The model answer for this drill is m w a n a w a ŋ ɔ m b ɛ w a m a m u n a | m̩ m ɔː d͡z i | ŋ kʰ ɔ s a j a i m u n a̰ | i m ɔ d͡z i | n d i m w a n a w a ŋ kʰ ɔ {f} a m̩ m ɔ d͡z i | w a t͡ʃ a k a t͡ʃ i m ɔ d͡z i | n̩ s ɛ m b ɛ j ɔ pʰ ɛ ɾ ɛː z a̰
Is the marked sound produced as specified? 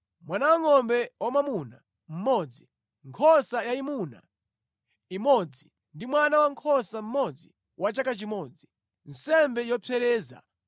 no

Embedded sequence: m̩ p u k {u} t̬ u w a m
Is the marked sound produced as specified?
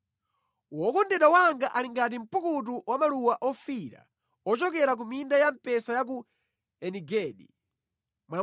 yes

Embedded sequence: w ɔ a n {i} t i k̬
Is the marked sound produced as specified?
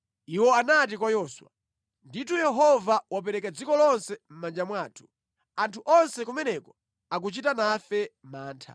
no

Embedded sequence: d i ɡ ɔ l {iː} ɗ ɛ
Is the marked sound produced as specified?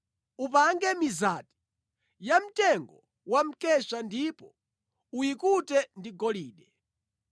yes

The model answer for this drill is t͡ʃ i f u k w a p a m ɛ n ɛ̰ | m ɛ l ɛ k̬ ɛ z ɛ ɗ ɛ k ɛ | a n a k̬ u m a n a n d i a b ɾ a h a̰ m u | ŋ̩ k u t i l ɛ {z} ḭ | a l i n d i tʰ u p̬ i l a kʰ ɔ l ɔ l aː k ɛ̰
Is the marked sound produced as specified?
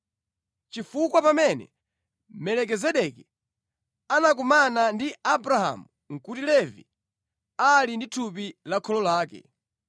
no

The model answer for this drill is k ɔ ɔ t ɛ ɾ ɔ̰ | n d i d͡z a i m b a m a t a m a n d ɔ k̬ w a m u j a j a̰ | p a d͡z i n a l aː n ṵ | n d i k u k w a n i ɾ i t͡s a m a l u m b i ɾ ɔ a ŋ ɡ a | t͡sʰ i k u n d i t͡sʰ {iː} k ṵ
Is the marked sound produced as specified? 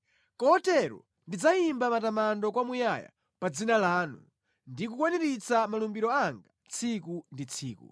yes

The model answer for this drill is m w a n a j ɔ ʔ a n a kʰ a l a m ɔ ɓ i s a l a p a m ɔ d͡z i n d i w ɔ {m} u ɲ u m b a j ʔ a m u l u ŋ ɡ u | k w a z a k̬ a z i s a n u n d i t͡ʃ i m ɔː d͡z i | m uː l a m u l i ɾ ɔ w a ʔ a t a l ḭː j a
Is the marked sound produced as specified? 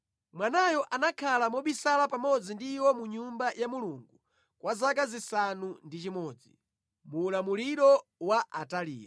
yes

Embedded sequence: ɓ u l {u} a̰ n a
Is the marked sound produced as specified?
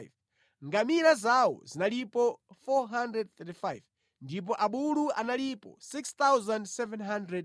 yes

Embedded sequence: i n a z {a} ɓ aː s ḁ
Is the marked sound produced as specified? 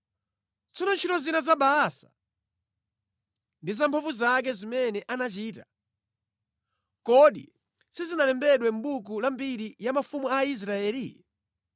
yes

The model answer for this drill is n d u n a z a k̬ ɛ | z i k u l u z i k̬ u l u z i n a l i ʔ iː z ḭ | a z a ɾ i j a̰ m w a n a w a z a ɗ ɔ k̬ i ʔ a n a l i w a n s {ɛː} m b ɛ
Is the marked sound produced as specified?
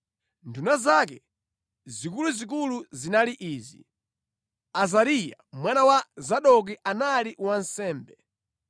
yes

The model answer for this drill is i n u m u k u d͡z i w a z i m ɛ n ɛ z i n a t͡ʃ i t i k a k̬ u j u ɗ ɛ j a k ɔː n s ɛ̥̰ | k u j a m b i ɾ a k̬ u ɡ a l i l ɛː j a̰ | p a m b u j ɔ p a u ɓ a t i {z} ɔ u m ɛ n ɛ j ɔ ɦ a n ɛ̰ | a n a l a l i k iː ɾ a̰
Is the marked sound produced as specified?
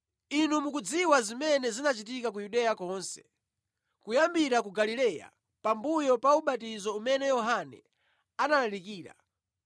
yes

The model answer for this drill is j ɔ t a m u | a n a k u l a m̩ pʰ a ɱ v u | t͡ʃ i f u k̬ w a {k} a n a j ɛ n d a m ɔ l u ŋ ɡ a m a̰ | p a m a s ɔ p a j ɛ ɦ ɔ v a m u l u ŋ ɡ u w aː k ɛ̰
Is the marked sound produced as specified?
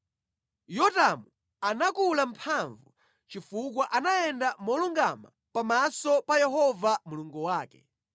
no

